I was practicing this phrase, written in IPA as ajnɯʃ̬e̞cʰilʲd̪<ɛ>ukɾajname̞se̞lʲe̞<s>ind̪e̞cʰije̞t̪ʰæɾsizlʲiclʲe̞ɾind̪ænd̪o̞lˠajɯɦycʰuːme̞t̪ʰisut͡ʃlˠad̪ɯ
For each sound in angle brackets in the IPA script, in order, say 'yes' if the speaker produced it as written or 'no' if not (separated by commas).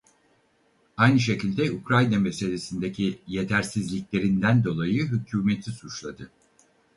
yes, yes